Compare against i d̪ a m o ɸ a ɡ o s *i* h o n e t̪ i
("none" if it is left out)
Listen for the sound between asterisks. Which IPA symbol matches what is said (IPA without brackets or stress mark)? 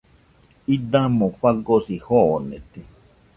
i